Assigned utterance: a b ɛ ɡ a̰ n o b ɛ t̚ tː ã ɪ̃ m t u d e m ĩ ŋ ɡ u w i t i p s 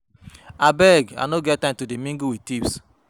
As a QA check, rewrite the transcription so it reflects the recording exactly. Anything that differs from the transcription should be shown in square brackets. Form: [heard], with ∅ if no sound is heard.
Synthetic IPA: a b ɛ ɡ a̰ n o [ɡ] ɛ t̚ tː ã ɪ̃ m t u d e m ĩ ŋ ɡ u w i t i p s